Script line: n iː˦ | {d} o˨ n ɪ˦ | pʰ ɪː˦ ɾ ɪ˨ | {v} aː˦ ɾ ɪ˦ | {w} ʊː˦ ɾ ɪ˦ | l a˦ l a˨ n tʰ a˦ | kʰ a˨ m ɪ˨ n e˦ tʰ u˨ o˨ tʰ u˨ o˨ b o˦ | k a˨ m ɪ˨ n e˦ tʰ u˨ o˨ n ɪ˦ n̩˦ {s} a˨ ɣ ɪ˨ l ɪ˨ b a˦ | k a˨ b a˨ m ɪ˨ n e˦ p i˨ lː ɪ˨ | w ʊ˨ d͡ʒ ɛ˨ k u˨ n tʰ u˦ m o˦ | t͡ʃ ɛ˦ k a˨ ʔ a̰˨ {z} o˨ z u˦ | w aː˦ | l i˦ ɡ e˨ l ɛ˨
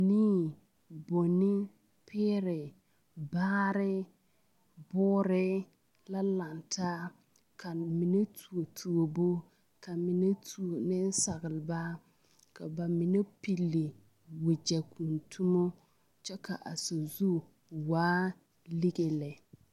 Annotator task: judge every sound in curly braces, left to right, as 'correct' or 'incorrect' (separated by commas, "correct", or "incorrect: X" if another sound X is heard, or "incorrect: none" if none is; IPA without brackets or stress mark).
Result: incorrect: b, incorrect: b, incorrect: b, correct, incorrect: s